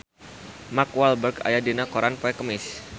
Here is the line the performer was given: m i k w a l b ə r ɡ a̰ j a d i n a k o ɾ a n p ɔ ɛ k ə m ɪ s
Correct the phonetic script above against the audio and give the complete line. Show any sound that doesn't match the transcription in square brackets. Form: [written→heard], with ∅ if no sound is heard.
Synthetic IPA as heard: m [i→a] k w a l b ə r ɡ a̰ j a d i n a k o ɾ a n p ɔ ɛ k ə m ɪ s